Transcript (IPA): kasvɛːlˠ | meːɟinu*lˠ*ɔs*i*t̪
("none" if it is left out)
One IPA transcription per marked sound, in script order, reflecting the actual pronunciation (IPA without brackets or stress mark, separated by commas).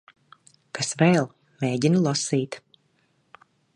lˠ, iː